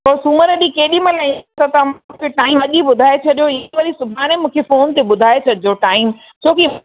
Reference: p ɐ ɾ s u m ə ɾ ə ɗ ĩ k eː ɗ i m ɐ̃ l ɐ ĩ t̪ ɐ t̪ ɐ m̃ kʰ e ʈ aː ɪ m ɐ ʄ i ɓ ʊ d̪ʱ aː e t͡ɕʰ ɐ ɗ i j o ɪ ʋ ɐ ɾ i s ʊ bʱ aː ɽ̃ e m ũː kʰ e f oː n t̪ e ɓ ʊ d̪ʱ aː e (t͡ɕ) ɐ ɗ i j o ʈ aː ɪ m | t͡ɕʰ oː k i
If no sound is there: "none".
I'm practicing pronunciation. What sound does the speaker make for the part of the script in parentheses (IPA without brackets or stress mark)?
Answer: t͡ɕʰ